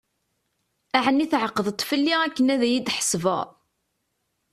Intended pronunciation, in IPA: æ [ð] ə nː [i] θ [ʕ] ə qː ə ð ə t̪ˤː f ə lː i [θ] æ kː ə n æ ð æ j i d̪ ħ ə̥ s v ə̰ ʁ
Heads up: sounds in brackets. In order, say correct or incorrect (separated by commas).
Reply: incorrect, correct, correct, incorrect